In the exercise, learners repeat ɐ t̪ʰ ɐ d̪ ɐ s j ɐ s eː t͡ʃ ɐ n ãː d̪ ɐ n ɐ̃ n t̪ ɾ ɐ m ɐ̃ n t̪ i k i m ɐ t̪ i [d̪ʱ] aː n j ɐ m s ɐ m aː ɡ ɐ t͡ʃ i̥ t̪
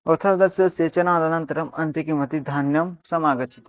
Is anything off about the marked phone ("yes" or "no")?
no